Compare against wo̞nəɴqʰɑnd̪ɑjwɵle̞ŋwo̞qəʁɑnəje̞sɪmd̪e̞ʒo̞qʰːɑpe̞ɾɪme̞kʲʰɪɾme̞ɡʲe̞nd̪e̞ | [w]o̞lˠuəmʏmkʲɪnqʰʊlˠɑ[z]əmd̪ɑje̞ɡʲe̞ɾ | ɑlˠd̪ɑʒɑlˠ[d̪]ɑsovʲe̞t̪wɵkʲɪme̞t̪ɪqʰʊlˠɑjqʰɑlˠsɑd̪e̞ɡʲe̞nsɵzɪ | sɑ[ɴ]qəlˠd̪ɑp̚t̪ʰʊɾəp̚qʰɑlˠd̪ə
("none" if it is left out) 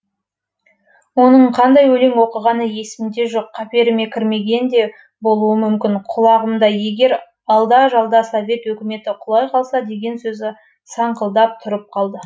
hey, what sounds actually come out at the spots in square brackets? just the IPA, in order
b, ʁ, d̪, ɴ

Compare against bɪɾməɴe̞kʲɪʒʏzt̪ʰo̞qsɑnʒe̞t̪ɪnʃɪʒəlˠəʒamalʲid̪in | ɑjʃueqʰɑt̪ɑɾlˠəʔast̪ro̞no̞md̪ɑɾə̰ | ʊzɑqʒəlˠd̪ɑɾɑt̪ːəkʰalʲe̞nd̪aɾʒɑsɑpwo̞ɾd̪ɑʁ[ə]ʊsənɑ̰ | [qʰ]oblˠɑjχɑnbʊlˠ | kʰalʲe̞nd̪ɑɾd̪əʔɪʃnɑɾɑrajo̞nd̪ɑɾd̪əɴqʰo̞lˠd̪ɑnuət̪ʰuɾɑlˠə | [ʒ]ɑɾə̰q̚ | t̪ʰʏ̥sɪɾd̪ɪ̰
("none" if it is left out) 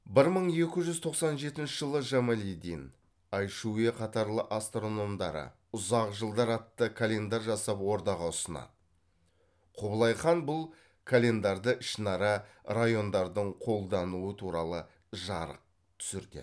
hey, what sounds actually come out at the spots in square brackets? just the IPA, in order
ɑ, qʰ, ʒ

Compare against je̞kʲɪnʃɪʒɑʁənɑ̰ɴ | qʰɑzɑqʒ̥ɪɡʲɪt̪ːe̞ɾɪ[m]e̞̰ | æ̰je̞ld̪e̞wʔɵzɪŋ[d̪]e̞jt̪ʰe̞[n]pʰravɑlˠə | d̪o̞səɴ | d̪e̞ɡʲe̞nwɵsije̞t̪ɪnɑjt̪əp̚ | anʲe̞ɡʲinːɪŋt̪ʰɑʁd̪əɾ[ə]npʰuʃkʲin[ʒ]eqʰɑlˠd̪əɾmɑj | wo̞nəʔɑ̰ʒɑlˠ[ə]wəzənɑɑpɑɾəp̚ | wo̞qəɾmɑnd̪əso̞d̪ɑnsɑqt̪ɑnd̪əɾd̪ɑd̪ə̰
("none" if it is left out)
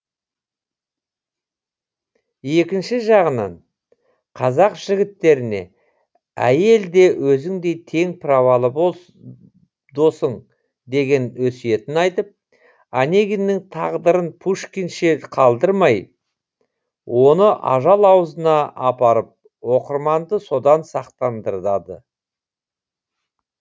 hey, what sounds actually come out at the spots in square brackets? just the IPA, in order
n, d̪, ŋ, ə, ʃ, ɑ

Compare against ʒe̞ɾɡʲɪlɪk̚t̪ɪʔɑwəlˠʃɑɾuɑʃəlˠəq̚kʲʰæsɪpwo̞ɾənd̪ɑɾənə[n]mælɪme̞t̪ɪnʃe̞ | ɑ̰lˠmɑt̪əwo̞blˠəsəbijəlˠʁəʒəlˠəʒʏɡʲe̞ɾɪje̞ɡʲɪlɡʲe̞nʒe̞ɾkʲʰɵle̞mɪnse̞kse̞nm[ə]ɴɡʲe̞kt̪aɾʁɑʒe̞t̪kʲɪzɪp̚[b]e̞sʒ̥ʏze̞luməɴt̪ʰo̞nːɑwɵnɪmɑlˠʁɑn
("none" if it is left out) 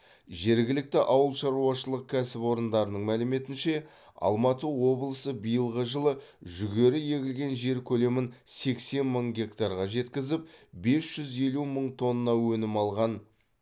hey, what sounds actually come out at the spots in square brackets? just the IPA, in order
ɴ, ə, b

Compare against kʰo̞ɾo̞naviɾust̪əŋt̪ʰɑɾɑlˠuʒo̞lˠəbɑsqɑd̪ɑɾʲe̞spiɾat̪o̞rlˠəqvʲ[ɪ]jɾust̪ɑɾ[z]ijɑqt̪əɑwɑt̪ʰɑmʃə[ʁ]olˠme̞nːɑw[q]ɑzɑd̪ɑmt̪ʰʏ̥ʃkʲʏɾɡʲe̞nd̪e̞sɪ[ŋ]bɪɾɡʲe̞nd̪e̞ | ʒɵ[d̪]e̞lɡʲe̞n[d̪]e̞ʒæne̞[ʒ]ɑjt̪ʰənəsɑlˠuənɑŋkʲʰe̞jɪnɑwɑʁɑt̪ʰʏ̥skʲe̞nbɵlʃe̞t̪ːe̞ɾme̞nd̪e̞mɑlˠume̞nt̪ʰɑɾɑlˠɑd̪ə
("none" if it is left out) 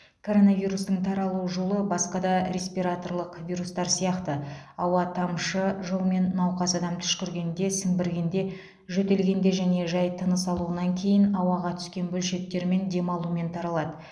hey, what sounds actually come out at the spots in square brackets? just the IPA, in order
i, s, ʒ, q, ŋ, t̪, d̪, ʒ

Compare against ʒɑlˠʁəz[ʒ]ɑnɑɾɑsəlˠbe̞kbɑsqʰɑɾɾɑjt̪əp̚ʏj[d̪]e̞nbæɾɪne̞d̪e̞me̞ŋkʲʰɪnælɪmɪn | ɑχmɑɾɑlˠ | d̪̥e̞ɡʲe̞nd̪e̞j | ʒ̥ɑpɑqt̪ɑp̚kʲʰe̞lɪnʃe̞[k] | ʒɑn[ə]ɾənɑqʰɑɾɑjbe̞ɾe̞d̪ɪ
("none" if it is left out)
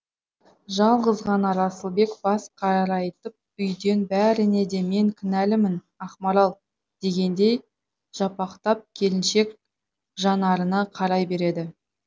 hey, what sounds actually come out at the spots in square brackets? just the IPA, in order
ʁ, d̪, k, ɑ

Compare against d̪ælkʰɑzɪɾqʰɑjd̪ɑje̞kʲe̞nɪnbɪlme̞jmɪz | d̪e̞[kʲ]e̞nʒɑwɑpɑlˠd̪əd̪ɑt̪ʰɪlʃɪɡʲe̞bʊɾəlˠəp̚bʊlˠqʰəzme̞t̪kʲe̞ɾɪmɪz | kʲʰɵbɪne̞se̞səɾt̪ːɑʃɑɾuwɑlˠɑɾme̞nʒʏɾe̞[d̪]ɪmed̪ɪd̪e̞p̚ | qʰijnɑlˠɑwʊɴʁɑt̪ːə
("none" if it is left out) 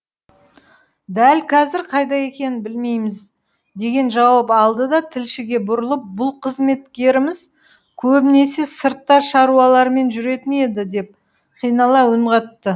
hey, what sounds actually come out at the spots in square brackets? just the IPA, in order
ɡʲ, t̪

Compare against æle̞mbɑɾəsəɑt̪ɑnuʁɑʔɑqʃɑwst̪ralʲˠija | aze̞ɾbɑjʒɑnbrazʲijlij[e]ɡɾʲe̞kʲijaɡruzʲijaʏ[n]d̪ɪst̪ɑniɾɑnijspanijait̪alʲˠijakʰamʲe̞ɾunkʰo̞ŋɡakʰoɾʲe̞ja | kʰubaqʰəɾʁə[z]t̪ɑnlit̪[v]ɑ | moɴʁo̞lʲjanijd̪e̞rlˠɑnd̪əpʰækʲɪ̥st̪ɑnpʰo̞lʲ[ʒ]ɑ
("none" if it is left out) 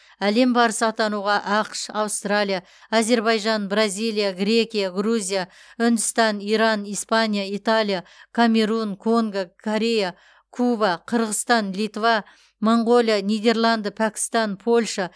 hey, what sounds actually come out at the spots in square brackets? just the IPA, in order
a, n, s, v, ʃ

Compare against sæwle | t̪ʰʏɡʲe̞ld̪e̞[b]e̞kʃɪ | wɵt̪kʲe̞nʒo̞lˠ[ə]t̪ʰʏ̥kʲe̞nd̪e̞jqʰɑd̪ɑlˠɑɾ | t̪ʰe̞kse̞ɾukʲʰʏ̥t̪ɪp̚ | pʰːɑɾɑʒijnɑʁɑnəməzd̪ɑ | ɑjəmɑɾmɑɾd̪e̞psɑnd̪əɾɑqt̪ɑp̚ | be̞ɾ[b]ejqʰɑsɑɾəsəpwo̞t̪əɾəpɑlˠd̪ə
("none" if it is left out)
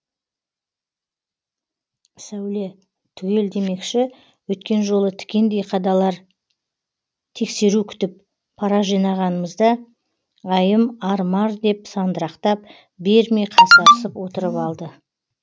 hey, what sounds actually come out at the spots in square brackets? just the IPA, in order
m, ə, m

